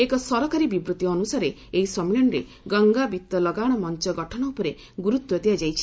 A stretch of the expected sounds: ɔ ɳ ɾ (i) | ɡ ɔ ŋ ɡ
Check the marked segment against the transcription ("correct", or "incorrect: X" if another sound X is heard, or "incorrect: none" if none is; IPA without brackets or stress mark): incorrect: e